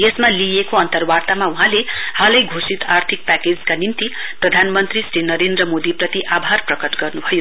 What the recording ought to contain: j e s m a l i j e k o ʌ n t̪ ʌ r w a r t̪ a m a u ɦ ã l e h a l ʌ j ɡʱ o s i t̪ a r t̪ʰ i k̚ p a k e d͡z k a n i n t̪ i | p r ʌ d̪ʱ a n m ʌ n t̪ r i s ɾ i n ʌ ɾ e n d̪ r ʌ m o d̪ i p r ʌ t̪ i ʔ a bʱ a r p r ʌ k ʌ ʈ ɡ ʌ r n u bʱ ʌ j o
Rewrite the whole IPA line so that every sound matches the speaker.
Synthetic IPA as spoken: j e s m a l i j e k o ʌ n t̪ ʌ r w a r t̪ a m a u ɦ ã l e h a l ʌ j ɡʱ o s i t̪ a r t̪ʰ i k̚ p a k e d͡z k a n i n t̪ i | p r ʌ d̪ʱ a n m ʌ n t̪ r i s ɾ i n ʌ ɾ e n d̪ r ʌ m o d̪ i p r ʌ t̪ i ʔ a bʱ a r p r ʌ k ʌ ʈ ɡ ʌ r n u bʱ ʌ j o